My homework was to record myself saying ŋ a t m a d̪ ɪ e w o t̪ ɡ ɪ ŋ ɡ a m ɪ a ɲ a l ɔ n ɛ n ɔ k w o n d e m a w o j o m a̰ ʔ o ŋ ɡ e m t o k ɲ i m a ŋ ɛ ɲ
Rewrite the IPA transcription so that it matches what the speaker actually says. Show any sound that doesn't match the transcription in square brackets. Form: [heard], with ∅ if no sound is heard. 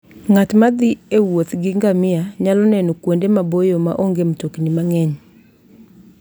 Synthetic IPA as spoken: ŋ a t m a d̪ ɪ e w o t̪ ɡ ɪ ŋ ɡ a m ɪ a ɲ a l ɔ n ɛ n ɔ k w o n d e m a [b] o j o m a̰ ʔ o ŋ ɡ e m t o k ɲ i m a ŋ ɛ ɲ